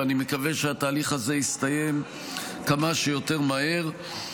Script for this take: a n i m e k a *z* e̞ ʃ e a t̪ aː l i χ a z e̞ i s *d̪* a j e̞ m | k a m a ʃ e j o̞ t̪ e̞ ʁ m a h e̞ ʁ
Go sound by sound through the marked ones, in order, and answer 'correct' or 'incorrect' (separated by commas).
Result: incorrect, incorrect